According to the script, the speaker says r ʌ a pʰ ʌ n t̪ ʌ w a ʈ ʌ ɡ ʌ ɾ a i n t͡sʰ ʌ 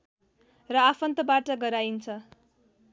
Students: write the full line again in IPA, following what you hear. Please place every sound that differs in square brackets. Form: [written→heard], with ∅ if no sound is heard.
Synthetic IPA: r ʌ a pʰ ʌ n t̪ ʌ [w→b] a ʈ ʌ ɡ ʌ ɾ a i n t͡sʰ ʌ